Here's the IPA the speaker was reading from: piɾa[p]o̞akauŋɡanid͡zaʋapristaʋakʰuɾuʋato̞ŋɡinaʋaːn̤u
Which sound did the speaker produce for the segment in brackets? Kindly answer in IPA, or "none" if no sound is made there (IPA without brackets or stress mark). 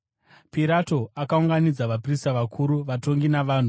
t